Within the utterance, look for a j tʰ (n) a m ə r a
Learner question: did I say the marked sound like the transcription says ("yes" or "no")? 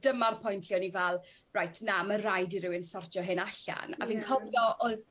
yes